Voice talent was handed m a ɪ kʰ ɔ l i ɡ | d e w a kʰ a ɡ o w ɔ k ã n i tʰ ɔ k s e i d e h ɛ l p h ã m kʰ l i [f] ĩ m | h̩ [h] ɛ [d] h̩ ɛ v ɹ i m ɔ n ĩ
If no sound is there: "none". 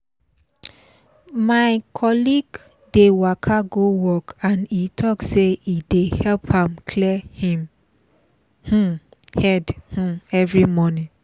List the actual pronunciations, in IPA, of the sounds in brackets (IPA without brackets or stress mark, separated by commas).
h, h, d